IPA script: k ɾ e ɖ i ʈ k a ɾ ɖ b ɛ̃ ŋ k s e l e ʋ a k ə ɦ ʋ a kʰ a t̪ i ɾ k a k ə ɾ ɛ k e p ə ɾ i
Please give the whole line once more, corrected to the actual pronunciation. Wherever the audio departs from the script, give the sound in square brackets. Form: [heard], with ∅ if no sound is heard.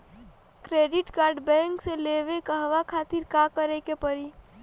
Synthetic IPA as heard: k ɾ e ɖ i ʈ k a ɾ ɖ b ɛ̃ ŋ k s e l e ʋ [e] k ə ɦ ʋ a kʰ a t̪ i ɾ k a k ə ɾ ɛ k e p ə ɾ i